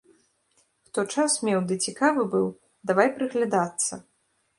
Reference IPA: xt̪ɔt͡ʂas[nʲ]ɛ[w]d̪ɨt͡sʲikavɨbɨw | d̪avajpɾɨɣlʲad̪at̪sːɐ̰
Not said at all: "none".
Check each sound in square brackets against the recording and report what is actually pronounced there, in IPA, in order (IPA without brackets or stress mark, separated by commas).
mʲ, w